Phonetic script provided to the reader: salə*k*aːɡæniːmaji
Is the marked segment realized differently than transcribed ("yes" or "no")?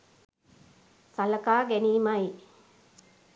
no